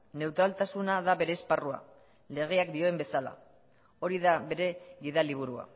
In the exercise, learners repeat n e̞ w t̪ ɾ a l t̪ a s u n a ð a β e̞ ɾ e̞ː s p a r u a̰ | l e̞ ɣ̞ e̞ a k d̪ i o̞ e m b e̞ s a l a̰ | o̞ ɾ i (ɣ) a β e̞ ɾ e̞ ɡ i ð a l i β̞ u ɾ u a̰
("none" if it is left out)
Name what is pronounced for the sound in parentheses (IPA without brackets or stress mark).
ð